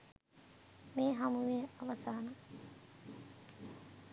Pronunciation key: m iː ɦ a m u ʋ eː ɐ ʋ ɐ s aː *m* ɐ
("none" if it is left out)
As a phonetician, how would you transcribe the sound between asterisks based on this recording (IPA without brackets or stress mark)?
n